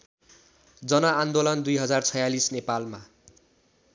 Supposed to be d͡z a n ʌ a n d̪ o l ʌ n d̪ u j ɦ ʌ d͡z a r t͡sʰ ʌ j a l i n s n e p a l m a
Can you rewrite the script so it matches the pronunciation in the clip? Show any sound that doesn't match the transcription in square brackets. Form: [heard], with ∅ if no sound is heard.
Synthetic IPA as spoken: d͡z [ʌ] n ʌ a n d̪ o l ʌ n d̪ u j ɦ ʌ d͡z a r t͡sʰ ʌ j a l i [∅] s n e p a l m a